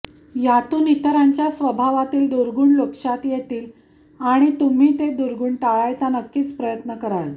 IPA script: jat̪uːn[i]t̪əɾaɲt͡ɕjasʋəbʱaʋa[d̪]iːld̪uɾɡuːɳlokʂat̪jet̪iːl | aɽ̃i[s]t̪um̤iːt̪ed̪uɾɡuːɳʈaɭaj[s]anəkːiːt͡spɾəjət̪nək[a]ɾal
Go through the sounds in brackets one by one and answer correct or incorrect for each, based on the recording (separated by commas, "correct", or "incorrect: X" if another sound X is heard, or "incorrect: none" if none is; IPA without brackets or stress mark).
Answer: correct, incorrect: t̪, incorrect: none, incorrect: t͡s, incorrect: ə